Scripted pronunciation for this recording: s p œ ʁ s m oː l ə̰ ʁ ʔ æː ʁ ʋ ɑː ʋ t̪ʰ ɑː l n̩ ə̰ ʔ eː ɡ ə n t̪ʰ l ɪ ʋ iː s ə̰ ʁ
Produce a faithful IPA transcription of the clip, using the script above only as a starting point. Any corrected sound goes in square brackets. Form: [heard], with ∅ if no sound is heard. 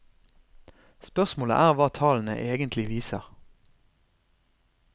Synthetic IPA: s p œ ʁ s m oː l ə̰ [∅] ʔ æː ʁ ʋ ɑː [∅] t̪ʰ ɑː l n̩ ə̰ ʔ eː ɡ ə n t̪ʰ l ɪ ʋ iː s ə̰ ʁ